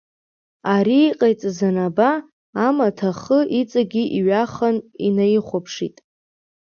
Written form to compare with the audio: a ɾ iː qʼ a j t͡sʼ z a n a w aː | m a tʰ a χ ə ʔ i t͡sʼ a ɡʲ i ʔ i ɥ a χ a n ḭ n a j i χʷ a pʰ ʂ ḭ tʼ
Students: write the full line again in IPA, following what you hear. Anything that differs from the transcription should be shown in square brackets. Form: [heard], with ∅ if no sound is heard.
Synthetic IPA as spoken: a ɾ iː qʼ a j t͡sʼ z a n a [b] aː | m a tʰ a χ ə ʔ i t͡sʼ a ɡʲ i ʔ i ɥ a χ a n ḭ n a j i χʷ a pʰ ʂ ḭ tʼ